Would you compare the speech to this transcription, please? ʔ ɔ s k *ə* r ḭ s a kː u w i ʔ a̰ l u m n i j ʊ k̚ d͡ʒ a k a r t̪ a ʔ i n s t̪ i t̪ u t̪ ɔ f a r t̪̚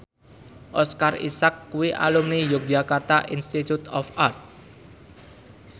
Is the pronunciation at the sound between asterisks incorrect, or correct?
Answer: incorrect